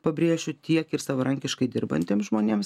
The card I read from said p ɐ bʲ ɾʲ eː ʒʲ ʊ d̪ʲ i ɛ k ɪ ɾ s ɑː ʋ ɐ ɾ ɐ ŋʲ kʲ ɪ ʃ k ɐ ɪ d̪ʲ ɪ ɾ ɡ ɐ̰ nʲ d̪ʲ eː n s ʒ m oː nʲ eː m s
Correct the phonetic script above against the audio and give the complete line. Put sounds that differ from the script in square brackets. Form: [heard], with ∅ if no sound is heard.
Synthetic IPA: p ɐ bʲ ɾʲ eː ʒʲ ʊ [t̪ʲ] i ɛ k ɪ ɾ s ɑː ʋ ɐ ɾ ɐ ŋʲ kʲ ɪ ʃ k ɐ ɪ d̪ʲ ɪ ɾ [b] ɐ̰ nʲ [t̪ʲ] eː [m] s ʒ m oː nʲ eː m s